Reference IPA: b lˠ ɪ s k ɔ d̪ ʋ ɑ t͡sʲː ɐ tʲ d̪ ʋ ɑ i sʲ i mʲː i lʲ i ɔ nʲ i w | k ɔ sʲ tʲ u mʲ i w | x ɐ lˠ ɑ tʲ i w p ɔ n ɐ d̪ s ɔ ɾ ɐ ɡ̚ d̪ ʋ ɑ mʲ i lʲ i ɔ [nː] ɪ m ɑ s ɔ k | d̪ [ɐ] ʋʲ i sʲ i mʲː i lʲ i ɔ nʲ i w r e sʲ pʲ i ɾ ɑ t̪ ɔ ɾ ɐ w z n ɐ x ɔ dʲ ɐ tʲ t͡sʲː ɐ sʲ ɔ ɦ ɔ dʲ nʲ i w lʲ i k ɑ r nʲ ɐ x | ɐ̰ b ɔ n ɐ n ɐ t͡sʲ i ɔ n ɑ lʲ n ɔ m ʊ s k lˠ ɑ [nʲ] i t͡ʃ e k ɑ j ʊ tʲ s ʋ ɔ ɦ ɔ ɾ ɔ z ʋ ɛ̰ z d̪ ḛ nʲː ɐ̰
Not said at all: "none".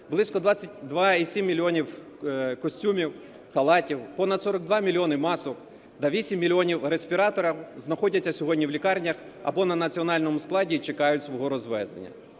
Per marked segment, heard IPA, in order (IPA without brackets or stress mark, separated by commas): n, ɐ, dʲ